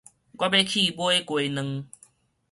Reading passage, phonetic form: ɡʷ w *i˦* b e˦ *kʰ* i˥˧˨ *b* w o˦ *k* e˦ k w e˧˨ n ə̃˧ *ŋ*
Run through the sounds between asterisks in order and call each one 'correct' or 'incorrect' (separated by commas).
incorrect, correct, correct, incorrect, correct